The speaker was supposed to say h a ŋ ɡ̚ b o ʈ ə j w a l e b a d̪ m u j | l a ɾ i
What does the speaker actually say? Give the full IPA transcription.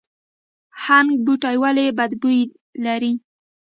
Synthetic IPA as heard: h a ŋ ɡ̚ b u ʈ a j w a l e b a d̪ b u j | l a ɾ i